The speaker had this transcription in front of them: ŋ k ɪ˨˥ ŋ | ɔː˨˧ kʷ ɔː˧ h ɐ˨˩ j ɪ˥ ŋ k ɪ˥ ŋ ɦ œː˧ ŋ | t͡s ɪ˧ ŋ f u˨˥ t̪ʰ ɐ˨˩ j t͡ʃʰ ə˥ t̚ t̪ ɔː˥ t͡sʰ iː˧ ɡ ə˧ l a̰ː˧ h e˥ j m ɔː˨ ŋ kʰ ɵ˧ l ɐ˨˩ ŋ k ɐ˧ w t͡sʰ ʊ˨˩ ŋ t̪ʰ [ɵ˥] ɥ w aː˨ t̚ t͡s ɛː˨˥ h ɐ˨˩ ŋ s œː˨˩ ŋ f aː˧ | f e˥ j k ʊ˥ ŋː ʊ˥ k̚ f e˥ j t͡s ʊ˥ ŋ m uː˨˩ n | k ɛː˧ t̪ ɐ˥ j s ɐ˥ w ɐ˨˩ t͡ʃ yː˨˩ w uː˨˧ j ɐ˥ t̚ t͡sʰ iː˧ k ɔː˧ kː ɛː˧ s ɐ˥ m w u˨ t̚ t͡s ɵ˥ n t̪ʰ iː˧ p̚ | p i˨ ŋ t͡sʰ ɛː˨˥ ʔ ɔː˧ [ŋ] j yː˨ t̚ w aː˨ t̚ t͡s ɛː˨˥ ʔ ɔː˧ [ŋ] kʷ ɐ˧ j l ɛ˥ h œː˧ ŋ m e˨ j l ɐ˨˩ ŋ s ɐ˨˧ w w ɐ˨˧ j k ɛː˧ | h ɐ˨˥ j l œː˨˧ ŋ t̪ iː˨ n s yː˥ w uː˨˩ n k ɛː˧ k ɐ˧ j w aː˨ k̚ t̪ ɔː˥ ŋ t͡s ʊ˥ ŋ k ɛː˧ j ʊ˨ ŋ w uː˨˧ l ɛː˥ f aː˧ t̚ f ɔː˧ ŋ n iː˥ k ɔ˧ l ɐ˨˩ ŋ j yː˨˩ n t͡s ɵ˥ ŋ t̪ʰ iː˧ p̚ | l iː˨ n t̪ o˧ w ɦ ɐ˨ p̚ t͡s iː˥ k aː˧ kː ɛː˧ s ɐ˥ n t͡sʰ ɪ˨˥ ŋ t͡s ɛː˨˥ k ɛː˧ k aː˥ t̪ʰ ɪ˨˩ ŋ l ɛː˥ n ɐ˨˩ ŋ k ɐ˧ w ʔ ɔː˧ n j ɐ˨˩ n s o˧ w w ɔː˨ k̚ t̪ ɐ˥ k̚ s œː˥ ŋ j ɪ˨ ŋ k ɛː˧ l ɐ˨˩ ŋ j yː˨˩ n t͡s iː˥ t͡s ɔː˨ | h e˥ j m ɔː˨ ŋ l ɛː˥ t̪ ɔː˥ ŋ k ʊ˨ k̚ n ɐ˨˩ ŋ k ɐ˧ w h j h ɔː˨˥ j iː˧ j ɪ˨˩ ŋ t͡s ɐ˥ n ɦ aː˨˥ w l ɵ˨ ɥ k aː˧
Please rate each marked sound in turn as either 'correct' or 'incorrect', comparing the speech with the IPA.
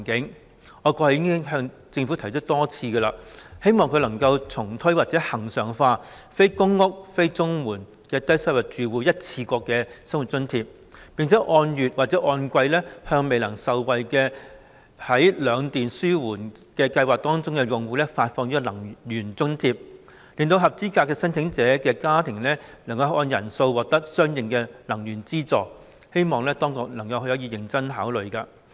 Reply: correct, incorrect, incorrect

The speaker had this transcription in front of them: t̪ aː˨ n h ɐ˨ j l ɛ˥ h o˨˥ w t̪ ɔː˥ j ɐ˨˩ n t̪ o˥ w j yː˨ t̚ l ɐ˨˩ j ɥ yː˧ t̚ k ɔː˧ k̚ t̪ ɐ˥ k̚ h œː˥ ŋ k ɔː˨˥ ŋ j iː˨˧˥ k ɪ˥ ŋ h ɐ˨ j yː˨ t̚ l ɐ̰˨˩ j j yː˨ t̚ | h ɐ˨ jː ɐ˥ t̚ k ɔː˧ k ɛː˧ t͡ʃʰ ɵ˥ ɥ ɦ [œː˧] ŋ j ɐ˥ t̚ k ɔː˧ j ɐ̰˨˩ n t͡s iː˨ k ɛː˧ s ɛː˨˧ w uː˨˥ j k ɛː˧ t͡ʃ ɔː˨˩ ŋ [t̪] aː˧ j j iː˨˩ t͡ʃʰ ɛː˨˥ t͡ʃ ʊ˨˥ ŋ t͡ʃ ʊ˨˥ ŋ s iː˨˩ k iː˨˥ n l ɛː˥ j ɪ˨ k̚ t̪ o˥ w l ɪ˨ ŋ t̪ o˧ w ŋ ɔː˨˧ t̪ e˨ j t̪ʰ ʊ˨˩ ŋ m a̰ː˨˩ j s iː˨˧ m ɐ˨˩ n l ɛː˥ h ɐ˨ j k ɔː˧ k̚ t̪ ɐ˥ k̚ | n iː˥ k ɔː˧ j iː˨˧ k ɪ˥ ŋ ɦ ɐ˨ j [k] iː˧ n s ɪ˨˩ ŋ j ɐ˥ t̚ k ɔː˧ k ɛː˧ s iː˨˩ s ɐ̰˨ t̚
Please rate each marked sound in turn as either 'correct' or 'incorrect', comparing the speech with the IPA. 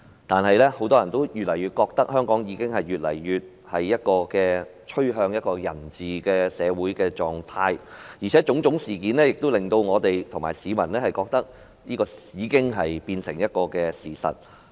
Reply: correct, incorrect, incorrect

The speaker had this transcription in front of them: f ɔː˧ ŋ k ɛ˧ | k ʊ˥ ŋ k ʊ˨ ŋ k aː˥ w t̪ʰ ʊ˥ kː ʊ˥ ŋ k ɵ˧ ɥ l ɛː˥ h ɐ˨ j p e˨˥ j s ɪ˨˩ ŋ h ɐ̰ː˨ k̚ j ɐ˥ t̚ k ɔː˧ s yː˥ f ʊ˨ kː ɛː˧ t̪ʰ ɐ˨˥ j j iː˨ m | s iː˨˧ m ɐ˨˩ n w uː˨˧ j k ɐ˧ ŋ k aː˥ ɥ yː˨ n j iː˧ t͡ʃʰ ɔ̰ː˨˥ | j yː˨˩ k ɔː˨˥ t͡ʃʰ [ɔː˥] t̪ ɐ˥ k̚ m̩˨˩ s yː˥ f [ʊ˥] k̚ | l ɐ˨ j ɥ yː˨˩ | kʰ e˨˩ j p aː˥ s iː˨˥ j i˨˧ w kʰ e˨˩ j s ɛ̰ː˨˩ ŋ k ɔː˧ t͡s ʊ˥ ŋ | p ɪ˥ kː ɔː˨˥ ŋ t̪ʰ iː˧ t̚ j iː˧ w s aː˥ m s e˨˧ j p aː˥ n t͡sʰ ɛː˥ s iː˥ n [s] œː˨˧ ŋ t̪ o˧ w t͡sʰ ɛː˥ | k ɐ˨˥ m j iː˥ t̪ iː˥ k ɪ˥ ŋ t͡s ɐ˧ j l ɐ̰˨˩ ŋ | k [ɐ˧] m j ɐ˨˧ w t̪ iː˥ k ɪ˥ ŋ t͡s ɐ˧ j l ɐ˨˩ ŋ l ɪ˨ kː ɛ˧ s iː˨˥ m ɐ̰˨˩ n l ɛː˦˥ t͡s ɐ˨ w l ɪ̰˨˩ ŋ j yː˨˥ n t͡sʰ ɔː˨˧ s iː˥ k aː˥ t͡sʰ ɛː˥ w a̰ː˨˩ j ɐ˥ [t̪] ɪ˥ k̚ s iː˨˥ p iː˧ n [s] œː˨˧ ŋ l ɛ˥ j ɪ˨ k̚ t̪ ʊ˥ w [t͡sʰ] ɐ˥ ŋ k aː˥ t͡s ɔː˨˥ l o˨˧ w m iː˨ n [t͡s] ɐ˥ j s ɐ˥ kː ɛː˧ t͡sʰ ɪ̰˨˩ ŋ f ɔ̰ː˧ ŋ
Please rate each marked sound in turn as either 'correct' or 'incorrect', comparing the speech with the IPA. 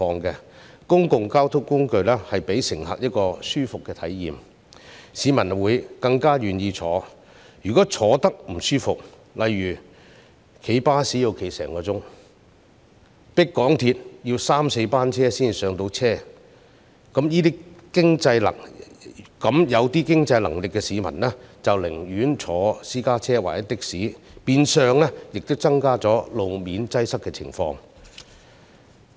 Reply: incorrect, incorrect, correct, incorrect, correct, correct, incorrect, correct

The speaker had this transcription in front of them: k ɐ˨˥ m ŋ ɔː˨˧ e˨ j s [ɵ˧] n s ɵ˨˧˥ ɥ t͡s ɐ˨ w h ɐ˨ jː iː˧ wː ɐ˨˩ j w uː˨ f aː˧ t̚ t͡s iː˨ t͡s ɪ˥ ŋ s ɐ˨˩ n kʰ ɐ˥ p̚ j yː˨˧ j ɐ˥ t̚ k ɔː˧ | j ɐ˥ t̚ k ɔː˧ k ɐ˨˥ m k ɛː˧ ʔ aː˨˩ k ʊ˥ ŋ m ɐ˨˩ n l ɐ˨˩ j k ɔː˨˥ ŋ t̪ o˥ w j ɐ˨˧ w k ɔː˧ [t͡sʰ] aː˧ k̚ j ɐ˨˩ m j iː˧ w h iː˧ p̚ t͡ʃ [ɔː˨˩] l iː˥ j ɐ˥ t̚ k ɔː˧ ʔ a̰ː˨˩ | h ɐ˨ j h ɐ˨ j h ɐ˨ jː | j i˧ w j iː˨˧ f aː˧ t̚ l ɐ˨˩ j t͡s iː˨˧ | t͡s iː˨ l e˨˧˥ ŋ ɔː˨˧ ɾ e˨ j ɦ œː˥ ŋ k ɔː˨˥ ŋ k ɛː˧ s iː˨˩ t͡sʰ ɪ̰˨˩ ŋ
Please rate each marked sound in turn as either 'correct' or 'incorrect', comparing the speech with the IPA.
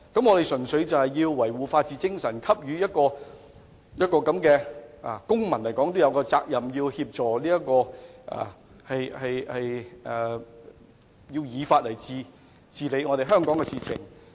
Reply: incorrect, incorrect, correct

